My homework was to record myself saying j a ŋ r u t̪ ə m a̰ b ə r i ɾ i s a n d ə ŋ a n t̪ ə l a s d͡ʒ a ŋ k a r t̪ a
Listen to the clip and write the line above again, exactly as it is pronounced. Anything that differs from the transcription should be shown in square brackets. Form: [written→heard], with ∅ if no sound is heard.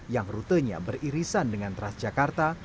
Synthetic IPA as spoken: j a ŋ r u t̪ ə [m→ɲ] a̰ b ə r i ɾ i s a n d ə ŋ a n t̪ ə [l→ɾ] a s d͡ʒ a [ŋ→∅] k a r t̪ a

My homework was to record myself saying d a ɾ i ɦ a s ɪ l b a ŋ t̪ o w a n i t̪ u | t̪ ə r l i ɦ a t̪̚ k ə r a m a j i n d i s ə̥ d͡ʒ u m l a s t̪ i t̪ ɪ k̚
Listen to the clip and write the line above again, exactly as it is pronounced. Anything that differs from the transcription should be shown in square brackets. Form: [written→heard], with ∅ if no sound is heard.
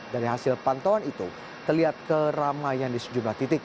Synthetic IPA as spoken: d a ɾ i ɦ a s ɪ l [b→p] a [ŋ→n] t̪ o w a n i t̪ u | t̪ ə r l i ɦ a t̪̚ k ə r a m a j [i→a] n d i s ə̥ d͡ʒ u m l a [s→h] t̪ i t̪ ɪ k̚

